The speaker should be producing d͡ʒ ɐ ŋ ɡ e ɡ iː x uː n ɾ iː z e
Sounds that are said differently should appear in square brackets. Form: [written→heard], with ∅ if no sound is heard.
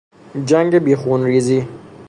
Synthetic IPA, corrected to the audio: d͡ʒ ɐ ŋ ɡ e [ɡ→b] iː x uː n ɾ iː z [e→i]